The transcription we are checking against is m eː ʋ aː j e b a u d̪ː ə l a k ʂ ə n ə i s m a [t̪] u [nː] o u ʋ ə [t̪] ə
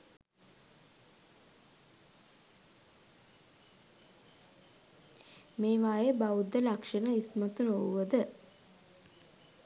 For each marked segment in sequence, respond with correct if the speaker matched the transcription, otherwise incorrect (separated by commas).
correct, incorrect, incorrect